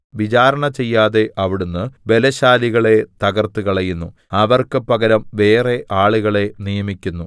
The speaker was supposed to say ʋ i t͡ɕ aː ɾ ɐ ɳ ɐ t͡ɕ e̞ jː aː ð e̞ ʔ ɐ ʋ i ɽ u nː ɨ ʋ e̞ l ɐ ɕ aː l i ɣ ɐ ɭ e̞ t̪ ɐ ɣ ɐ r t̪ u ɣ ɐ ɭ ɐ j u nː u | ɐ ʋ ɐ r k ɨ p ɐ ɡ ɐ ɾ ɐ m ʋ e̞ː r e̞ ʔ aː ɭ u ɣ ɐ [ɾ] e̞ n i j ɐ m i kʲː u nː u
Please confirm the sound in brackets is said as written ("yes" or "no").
no